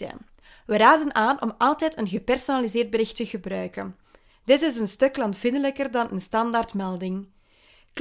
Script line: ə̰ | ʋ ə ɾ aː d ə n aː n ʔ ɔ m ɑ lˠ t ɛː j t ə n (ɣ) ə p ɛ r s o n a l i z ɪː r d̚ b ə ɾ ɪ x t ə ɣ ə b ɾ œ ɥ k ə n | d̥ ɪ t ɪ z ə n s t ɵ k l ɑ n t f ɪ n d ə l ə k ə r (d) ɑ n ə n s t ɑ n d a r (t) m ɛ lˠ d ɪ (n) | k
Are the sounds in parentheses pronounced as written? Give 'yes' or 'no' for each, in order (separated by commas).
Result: yes, yes, yes, no